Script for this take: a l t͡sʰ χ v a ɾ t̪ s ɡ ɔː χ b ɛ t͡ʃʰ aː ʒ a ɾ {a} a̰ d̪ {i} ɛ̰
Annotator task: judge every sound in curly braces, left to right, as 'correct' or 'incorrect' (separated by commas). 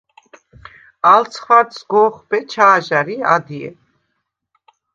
incorrect, correct